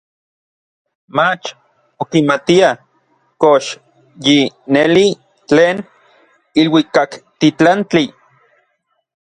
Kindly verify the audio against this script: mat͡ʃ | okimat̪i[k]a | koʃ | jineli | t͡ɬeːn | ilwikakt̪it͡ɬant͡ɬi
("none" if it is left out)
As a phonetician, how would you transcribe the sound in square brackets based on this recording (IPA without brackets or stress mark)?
none